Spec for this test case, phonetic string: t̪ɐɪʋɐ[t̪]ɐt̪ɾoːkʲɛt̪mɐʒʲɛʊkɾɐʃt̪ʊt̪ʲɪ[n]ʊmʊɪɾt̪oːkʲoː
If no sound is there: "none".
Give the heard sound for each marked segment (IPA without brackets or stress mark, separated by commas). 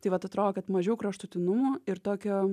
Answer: t̪, n